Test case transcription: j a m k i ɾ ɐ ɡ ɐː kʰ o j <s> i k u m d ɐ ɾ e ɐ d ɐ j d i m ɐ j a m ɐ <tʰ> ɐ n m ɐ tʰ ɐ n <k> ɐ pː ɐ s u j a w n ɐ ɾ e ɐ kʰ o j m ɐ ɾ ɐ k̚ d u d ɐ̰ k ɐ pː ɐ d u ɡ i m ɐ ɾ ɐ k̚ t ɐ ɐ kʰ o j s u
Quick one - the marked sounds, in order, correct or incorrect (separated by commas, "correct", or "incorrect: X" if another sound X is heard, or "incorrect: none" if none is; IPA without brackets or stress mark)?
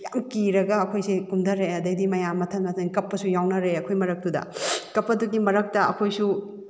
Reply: correct, correct, correct